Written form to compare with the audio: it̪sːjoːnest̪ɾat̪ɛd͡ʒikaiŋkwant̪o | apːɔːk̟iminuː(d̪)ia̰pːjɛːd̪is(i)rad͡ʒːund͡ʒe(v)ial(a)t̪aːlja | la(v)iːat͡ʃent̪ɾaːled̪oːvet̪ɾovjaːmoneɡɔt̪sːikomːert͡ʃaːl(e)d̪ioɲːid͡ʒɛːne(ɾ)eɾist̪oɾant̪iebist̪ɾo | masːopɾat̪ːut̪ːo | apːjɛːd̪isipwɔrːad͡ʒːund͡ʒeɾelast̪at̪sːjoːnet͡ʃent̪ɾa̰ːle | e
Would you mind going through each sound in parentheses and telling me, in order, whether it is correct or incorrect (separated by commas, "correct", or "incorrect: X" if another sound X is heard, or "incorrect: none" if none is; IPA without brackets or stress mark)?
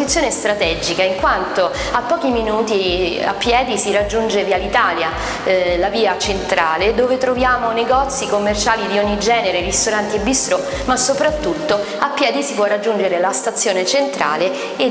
incorrect: t̪, correct, correct, incorrect: i, correct, incorrect: i, correct